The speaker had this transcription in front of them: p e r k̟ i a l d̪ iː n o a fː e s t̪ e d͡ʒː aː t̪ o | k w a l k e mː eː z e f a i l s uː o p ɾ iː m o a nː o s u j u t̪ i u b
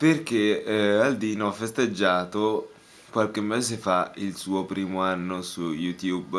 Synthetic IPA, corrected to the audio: p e r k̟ e a l d̪ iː n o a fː e s t̪ e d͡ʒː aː t̪ o | k w a l k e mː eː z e f a i l s uː o p ɾ iː m o a nː o s u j u t̪ j u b